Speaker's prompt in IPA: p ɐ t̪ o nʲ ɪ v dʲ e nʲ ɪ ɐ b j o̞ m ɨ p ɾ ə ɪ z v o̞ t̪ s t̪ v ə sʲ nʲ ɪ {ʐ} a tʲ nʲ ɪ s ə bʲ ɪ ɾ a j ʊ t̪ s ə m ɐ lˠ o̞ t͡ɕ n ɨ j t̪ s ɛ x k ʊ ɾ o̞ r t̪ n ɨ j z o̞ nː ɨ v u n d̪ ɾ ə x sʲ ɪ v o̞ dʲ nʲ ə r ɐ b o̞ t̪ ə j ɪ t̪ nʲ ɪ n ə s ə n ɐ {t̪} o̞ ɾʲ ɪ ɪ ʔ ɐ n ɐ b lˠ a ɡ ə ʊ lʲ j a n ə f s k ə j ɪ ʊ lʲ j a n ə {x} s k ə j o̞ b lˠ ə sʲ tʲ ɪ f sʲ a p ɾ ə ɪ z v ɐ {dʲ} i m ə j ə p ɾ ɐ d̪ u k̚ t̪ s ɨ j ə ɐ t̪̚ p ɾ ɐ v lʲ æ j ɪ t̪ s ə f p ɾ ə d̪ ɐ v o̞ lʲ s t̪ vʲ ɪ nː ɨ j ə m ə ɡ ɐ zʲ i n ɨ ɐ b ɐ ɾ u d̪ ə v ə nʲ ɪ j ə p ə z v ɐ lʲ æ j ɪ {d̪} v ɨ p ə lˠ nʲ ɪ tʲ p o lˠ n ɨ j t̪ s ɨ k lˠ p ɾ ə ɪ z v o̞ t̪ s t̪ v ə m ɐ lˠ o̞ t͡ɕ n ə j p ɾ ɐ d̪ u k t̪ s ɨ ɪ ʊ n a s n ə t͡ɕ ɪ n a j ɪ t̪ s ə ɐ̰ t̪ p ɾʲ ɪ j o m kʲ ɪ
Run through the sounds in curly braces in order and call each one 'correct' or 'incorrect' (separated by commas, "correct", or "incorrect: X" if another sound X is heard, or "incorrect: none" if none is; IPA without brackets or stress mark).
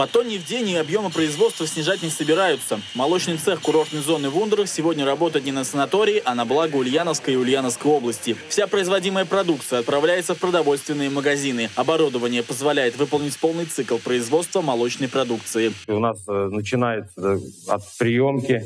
correct, correct, incorrect: f, correct, incorrect: t̪